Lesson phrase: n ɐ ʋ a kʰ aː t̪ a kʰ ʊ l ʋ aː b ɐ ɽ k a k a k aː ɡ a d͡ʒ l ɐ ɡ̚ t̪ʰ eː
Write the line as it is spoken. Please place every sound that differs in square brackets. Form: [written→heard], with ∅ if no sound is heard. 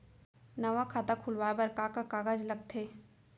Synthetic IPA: n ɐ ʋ a kʰ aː t̪ a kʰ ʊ l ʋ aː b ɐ [ɽ→ɾ] k a k a k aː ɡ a d͡ʒ l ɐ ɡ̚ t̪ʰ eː